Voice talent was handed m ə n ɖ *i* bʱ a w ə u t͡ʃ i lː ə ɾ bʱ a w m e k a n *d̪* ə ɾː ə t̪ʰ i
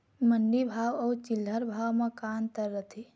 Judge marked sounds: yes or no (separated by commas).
yes, no